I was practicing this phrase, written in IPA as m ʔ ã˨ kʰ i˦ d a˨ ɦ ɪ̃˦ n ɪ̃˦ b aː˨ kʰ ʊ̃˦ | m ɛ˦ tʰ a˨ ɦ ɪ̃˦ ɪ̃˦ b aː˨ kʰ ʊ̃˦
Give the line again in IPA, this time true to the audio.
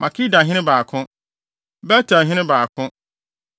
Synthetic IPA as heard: m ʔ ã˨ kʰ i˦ d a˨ ɦ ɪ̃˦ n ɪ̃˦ b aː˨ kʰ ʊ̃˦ | b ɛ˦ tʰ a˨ ɦ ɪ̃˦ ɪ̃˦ b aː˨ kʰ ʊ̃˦